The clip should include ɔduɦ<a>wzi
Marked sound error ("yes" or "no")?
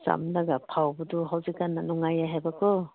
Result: no